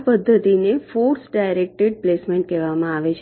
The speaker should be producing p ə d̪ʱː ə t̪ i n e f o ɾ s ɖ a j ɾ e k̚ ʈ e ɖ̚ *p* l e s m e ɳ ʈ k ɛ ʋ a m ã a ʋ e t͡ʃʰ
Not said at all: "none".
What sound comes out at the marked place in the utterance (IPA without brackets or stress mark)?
p